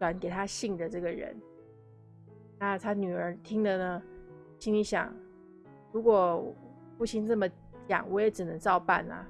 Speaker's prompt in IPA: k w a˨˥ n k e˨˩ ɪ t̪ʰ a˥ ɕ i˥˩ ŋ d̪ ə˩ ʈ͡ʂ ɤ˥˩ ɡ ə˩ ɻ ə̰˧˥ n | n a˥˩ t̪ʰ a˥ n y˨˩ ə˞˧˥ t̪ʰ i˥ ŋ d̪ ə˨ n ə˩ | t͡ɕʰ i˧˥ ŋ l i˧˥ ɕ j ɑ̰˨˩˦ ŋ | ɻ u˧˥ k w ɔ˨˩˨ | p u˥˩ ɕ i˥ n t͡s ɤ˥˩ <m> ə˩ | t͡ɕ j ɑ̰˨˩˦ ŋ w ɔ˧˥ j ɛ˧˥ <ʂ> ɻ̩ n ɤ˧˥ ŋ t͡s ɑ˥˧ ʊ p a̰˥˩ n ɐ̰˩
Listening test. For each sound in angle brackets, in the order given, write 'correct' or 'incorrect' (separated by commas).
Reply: correct, incorrect